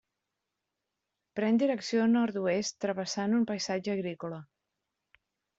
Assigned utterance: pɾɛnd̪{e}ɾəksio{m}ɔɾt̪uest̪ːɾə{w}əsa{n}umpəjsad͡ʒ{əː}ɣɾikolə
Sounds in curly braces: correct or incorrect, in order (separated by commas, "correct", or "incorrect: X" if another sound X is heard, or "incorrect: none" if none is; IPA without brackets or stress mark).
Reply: incorrect: i, incorrect: n, incorrect: β, correct, correct